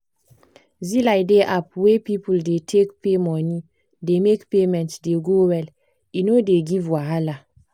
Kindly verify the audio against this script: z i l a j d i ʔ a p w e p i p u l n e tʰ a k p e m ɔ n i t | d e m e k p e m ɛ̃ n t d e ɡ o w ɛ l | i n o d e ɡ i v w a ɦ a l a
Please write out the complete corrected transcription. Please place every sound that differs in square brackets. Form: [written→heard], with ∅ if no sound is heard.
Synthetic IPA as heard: z i l a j d [i→e] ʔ a p w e p i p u l [n→d] e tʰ [a→e] k p e m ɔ n i [t→∅] | d e m e k p e m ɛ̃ n t d e ɡ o w ɛ l | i n o d e ɡ i v w a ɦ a l a